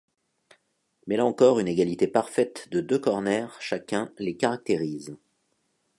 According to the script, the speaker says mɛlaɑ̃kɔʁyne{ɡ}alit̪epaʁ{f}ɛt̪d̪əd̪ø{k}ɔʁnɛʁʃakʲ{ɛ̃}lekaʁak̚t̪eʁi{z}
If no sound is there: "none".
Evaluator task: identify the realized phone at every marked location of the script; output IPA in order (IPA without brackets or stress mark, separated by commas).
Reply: ɡ, f, k, ɛ̃, z